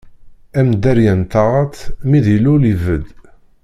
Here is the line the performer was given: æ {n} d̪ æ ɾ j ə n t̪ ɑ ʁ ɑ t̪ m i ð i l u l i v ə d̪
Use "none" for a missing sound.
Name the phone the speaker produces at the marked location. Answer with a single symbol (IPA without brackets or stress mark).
m